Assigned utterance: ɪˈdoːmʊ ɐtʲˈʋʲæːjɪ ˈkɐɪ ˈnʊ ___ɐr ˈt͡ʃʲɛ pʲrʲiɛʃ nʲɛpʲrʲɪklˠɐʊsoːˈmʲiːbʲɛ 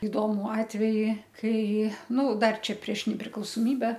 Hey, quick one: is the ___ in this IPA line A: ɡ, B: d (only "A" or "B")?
B